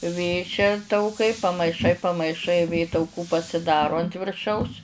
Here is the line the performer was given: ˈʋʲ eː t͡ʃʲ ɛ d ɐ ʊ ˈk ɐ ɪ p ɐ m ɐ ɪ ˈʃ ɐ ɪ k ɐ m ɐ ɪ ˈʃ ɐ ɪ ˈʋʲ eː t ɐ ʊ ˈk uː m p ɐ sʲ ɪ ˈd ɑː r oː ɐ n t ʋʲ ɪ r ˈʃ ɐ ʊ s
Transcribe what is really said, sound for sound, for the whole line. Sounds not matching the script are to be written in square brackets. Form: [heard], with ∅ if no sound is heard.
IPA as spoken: ˈʋʲ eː t͡ʃʲ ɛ [t] ɐ ʊ ˈk ɐ ɪ p ɐ m ɐ ɪ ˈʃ ɐ ɪ [p] ɐ m ɐ ɪ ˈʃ ɐ ɪ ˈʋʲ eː t ɐ ʊ ˈk uː [∅] p ɐ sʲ ɪ ˈd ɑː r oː ɐ n t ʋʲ ɪ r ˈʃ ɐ ʊ s